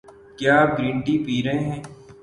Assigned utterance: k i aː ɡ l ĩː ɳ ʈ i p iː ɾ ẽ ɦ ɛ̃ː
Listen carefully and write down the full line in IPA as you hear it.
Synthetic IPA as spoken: k j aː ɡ ɾ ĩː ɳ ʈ i p iː ɾ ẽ ɦ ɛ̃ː